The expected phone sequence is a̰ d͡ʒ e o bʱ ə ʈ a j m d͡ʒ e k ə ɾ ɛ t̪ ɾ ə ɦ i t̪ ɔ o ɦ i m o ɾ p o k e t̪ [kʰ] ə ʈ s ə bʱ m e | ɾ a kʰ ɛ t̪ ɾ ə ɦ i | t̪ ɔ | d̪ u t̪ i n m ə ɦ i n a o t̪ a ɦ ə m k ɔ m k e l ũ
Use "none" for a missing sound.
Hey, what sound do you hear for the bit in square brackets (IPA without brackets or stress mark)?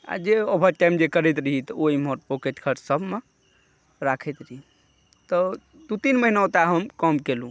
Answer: kʰ